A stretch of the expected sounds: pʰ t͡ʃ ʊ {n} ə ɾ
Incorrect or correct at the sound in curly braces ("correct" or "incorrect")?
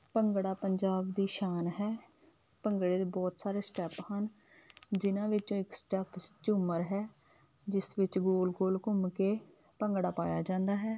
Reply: incorrect